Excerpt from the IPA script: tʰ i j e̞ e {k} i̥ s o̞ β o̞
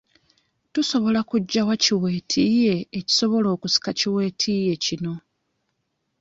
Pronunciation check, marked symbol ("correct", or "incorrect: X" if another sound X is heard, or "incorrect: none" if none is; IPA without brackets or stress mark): incorrect: c